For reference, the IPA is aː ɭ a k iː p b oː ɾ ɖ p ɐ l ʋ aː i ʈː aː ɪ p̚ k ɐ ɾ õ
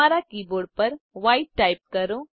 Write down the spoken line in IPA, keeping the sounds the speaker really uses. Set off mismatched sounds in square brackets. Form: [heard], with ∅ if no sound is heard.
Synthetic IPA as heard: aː [ɾ] a k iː [∅] b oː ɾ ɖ p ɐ [ɾ] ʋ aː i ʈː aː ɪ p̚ k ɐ ɾ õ